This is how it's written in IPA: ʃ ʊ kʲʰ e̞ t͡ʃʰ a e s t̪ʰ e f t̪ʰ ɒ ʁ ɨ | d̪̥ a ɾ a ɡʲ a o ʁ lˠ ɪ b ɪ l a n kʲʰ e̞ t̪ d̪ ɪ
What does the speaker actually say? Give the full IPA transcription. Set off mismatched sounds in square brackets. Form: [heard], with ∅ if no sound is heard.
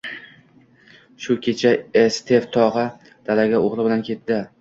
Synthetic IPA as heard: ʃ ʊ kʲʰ e̞ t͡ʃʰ a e s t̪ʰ e f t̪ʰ ɒ ʁ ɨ | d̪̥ a [l] a ɡʲ a o ʁ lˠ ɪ b ɪ l a n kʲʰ e̞ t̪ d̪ ɪ